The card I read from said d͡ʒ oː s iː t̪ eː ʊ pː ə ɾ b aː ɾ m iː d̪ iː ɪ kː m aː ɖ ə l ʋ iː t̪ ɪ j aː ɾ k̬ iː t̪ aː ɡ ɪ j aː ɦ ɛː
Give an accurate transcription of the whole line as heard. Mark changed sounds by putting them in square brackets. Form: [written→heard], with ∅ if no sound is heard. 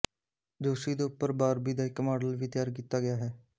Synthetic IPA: d͡ʒ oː s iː [t̪→d̪] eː ʊ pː ə ɾ b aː ɾ [m→b] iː d̪ [iː→aː] ɪ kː m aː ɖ ə l ʋ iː t̪ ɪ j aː ɾ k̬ iː t̪ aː ɡ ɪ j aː ɦ ɛː